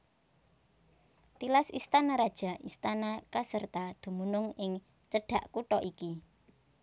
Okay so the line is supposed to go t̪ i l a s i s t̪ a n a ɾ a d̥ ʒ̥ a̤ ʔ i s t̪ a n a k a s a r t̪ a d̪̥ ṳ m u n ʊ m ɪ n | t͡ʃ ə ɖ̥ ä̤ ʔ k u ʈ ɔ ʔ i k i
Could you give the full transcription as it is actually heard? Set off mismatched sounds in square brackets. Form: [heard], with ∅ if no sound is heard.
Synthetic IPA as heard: t̪ i l a s i s t̪ a n a ɾ a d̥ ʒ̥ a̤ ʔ i s t̪ a n a k a s [ə] r t̪ a d̪̥ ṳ m u n ʊ [ŋ] ɪ [ŋ] | t͡ʃ ə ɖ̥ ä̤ ʔ k u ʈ ɔ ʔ i k i